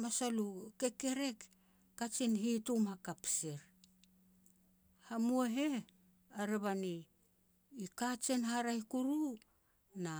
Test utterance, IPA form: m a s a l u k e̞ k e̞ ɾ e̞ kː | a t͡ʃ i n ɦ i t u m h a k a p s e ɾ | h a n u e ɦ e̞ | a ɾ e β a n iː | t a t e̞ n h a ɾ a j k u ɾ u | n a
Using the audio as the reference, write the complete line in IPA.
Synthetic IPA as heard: m a s a l u k e̞ k e̞ ɾ e̞ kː | a t͡ʃ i n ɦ i t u m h a k a p s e ɾ | h a m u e ɦ e̞ | a ɾ e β a n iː | k a t͡ʃ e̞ n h a ɾ a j k u ɾ u | n a